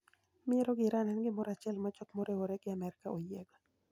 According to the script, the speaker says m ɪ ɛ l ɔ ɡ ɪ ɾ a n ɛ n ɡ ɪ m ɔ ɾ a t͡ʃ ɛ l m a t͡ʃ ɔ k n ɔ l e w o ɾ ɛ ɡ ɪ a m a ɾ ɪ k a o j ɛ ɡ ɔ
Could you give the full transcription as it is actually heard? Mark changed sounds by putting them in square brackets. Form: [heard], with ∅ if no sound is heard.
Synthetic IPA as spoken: m ɪ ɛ [ɾ] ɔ ɡ ɪ ɾ a n ɛ n ɡ ɪ m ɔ ɾ a t͡ʃ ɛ l m a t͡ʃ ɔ k [m] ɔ [ɾ] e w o ɾ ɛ ɡ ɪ a m [ɛ] ɾ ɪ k a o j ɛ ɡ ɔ